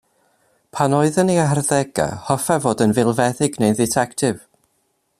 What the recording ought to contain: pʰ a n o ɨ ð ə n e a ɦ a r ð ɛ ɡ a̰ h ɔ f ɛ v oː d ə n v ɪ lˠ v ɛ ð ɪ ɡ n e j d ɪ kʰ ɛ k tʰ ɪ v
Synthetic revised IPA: pʰ a n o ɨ ð ə n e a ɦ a r ð ɛ ɡ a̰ h ɔ f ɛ v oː d ə n v ɪ lˠ v ɛ ð ɪ ɡ n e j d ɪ tʰ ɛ k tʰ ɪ v